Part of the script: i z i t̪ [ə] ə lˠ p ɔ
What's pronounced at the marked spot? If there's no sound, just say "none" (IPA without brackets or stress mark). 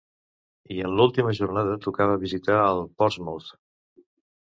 a